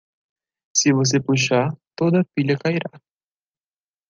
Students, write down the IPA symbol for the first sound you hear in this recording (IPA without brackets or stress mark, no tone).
s